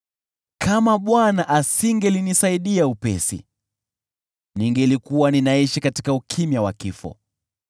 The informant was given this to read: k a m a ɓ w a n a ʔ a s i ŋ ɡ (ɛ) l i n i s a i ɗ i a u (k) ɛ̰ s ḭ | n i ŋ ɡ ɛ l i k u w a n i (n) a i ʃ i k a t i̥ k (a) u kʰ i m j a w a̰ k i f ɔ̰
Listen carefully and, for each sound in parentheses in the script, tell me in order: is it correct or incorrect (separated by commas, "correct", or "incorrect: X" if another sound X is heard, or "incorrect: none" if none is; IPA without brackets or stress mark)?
correct, incorrect: p, correct, correct